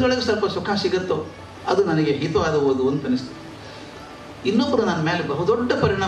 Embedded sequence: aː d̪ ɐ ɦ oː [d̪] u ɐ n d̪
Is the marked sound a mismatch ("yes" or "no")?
no